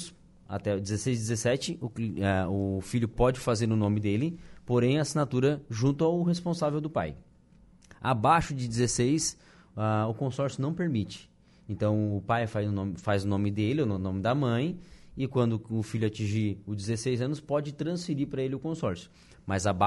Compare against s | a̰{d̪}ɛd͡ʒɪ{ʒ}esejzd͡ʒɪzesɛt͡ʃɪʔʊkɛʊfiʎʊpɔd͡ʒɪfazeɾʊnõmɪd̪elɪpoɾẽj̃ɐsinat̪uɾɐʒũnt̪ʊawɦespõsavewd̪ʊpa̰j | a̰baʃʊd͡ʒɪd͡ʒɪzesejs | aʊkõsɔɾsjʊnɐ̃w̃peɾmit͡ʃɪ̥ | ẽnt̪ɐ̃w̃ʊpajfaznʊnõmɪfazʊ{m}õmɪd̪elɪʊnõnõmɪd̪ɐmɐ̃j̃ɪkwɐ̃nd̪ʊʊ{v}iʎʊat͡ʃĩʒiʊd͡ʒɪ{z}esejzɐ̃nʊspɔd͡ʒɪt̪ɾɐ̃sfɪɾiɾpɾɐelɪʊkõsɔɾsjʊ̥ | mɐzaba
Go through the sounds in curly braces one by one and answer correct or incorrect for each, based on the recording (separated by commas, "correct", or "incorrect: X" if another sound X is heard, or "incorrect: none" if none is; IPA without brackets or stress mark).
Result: incorrect: t̪, incorrect: z, incorrect: n, incorrect: f, correct